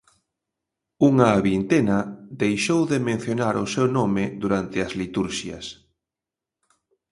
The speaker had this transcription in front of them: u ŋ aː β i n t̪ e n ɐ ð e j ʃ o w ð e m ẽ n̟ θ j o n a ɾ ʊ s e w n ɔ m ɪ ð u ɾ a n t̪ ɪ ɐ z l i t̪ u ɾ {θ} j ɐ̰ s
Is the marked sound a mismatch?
yes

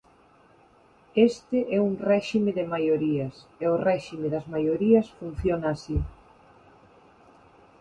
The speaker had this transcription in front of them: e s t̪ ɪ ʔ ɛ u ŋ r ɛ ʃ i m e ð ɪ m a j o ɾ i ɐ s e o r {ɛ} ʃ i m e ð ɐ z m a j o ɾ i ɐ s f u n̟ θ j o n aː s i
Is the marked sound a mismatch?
no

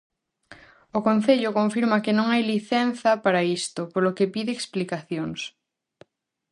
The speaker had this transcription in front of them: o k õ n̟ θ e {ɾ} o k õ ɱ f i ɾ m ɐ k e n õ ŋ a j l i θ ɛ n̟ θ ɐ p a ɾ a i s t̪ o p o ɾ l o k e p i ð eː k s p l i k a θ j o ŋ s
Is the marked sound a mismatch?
yes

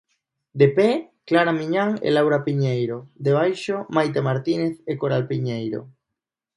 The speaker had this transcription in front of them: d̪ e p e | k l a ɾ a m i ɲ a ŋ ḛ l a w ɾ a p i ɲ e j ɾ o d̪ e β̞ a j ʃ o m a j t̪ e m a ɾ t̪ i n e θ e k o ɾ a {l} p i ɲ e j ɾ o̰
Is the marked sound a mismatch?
no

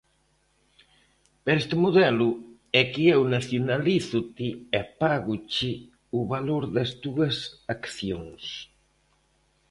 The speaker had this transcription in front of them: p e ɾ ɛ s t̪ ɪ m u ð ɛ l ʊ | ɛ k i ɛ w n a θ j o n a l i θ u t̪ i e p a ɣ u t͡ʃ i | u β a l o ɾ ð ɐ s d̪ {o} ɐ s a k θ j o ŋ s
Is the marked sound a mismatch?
yes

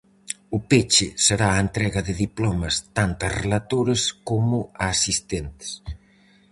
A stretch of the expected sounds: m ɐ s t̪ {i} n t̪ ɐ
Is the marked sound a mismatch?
yes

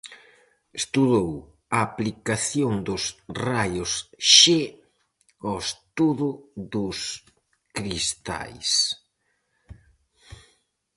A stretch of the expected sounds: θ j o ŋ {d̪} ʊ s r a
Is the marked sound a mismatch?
no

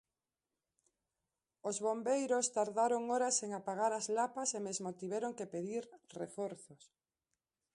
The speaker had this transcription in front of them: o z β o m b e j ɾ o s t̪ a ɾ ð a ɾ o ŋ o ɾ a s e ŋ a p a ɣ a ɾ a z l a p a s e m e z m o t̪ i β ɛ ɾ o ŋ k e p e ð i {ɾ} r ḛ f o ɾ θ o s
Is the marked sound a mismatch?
no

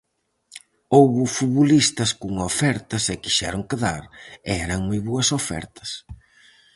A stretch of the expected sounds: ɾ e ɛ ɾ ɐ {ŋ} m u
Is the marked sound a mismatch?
no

